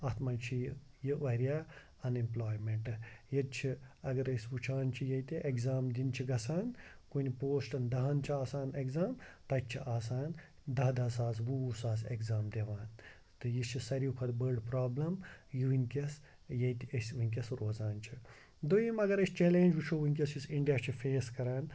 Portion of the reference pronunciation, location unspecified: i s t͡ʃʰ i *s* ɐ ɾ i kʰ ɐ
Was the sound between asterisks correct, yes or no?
yes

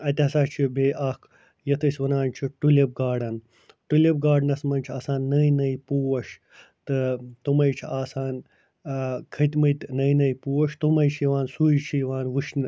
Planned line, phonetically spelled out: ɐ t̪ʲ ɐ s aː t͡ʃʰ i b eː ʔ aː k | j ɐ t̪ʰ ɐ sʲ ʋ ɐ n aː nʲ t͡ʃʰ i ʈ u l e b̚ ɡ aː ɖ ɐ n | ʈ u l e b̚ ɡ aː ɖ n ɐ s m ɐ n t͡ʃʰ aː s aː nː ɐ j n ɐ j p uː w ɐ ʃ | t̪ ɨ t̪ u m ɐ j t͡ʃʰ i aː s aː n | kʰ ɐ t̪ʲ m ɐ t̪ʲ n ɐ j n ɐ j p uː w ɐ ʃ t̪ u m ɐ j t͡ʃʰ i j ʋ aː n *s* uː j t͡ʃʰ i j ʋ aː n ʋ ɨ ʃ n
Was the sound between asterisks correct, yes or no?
yes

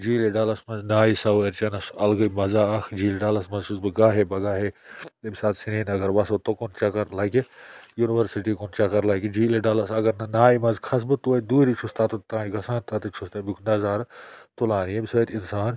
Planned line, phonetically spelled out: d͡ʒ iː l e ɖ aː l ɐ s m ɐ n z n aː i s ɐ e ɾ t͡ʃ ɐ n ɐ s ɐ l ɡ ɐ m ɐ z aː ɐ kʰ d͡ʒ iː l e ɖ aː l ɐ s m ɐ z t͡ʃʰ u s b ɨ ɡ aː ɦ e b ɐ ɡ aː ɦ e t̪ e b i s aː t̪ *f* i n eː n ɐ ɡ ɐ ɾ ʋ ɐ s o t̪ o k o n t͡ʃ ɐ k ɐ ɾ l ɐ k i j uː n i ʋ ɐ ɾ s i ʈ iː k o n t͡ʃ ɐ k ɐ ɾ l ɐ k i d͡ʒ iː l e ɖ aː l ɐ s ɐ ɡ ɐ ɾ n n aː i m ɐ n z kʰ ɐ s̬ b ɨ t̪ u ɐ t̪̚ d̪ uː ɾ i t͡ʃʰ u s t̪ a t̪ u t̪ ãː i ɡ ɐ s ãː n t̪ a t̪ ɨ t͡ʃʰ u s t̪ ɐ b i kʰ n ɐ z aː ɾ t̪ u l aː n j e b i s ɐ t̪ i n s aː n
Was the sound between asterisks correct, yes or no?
no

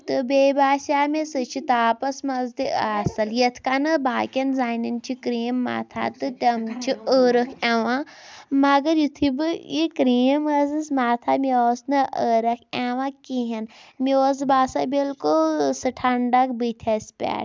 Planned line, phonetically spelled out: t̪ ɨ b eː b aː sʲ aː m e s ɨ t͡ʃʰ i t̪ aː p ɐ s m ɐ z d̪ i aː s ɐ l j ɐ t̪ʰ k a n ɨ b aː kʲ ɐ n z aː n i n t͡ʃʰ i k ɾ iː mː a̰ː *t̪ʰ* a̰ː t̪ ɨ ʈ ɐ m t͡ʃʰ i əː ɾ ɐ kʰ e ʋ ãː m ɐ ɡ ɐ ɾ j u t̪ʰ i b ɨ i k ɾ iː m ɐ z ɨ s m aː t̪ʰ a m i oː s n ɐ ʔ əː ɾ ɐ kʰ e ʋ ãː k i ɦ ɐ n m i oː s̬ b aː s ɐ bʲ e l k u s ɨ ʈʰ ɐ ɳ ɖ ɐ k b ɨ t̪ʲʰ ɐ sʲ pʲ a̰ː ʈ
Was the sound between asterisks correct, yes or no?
yes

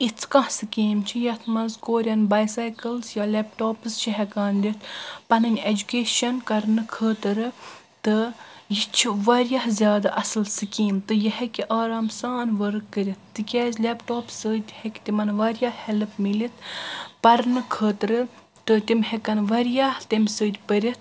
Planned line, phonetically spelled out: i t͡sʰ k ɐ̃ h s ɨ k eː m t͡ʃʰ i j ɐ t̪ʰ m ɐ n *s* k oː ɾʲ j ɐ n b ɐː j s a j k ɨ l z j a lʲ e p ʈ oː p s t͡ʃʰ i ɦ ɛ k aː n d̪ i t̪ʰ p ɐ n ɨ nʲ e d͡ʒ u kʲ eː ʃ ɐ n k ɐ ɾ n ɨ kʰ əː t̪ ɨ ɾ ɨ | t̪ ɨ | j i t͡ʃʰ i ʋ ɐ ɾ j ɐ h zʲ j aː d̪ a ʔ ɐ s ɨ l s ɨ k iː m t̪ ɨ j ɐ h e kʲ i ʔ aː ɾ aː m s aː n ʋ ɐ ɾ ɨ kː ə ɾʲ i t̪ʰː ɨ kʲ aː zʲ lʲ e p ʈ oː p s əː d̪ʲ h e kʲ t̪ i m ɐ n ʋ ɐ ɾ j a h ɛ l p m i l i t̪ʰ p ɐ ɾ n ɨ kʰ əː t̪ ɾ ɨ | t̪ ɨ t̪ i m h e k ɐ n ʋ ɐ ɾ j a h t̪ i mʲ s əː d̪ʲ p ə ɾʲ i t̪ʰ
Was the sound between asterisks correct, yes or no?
no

